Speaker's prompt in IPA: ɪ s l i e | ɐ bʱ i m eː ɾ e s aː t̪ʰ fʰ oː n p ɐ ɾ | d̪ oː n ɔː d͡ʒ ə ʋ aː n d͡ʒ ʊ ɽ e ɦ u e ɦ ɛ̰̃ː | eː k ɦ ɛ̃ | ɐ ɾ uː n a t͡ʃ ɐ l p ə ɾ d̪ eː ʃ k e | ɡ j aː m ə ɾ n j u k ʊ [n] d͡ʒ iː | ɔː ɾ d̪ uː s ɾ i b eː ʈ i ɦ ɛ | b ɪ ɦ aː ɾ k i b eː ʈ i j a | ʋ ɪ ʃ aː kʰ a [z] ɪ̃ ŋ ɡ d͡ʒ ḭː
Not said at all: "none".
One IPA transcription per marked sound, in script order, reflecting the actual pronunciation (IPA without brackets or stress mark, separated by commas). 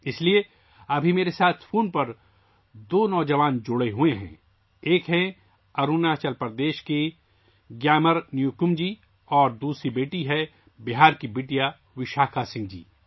m, s